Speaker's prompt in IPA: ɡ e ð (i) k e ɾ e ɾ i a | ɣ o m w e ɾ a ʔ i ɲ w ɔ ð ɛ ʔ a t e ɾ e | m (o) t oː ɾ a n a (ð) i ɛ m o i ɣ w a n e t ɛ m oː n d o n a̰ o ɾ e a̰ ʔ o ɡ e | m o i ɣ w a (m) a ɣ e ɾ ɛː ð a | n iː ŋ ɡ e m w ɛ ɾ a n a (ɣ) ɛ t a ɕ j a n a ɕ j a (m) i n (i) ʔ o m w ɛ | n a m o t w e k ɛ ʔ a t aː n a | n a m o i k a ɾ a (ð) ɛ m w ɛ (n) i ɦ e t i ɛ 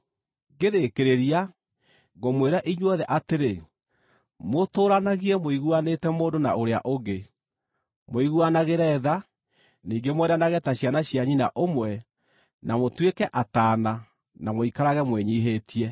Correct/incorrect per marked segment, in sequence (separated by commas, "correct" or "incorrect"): incorrect, correct, incorrect, incorrect, correct, incorrect, incorrect, incorrect, incorrect